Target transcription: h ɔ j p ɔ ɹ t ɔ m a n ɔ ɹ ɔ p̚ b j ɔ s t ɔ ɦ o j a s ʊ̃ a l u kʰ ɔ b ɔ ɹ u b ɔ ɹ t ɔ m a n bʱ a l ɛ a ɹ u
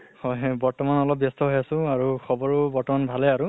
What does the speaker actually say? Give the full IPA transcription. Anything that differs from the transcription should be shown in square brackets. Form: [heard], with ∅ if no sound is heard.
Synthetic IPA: h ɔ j [b] ɔ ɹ t ɔ m a n ɔ [l] ɔ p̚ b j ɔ s t ɔ ɦ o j a s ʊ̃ a [ɹ] u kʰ ɔ b ɔ ɹ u b ɔ ɹ t ɔ m a n bʱ a l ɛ a ɹ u